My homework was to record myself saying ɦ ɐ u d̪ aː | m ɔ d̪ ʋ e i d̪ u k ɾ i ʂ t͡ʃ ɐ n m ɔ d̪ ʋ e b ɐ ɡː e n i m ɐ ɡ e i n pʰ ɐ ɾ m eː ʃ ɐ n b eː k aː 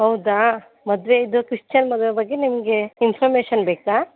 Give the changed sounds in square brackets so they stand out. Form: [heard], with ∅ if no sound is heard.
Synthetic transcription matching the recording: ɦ ɐ [w] d̪ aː | m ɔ d̪ ʋ e i d̪ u k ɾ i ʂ t͡ʃ ɐ n m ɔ d̪ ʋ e b ɐ ɡː e n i m ɐ ɡ e i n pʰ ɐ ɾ m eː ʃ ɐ n b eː k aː